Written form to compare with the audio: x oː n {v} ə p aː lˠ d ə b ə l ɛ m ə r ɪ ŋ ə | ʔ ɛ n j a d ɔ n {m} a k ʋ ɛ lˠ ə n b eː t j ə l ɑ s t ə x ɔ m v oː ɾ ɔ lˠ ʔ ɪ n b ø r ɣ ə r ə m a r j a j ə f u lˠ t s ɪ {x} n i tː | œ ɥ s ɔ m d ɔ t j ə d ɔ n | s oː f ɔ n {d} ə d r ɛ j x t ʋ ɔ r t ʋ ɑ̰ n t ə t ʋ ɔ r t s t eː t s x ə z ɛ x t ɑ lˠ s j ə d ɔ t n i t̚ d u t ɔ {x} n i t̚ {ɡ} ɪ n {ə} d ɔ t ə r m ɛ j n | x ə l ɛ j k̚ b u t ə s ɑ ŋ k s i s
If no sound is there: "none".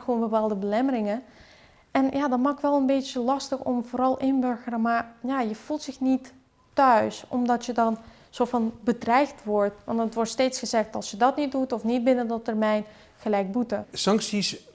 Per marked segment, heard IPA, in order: b, m, x, b, f, b, ə

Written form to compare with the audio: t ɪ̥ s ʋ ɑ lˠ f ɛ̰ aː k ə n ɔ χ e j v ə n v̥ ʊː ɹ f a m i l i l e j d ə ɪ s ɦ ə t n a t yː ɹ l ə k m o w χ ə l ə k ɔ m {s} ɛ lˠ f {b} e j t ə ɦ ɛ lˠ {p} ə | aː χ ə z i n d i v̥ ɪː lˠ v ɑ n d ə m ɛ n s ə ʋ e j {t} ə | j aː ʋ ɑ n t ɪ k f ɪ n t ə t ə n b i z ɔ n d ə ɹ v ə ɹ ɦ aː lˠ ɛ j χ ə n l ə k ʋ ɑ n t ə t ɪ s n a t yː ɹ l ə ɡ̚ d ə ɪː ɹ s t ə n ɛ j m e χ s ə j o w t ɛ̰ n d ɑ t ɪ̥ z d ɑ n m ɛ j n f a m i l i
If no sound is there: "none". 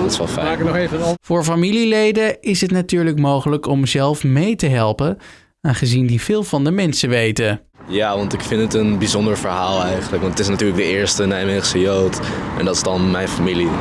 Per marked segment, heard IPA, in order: z, m, p, t

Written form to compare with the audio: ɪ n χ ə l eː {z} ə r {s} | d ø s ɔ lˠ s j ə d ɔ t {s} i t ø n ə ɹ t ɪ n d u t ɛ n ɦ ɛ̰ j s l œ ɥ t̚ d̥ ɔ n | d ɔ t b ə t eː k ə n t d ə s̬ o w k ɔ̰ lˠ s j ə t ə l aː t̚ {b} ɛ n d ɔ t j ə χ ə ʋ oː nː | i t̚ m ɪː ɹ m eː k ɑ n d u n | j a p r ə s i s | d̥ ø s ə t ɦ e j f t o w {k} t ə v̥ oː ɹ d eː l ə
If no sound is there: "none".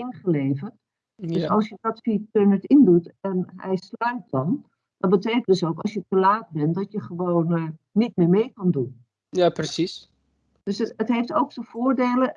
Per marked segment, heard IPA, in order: v, t, f, b, k

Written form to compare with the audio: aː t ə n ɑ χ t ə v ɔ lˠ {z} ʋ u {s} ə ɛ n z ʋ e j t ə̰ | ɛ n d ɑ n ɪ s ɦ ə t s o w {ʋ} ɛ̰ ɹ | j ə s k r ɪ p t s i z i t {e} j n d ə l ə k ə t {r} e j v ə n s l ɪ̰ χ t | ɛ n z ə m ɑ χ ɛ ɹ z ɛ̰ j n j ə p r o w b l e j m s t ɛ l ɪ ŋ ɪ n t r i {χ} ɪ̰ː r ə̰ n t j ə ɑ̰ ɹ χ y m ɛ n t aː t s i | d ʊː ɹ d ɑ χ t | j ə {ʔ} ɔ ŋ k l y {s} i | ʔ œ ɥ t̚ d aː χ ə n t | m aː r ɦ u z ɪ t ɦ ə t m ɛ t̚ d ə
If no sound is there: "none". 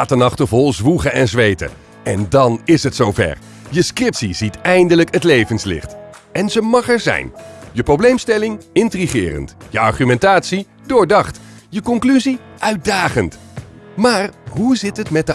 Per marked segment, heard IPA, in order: z, χ, v, ɛ, l, χ, k, z

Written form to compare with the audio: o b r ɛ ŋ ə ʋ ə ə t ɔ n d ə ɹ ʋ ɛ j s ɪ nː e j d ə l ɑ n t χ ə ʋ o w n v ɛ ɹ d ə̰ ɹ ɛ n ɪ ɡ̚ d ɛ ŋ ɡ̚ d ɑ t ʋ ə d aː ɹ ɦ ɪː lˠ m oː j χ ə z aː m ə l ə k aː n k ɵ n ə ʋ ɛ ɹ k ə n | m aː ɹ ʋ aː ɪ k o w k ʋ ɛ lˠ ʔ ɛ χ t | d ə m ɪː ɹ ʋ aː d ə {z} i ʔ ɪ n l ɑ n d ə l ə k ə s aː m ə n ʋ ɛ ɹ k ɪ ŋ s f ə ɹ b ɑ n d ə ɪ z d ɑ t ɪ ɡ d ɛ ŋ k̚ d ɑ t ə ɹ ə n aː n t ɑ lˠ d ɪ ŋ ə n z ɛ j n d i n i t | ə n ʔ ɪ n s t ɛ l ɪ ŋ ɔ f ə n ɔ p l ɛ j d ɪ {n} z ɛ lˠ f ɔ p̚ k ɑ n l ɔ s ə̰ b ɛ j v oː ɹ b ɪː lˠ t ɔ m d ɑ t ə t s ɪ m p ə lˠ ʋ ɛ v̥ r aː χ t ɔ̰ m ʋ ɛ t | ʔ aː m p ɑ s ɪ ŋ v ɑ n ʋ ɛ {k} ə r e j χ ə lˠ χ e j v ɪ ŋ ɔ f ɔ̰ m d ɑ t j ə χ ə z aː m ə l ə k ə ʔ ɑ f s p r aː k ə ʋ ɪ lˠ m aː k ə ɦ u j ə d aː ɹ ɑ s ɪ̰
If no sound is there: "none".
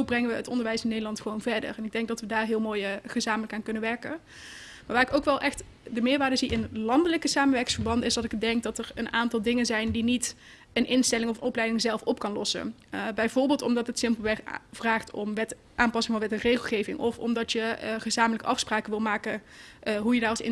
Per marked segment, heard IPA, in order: z, ŋ, t

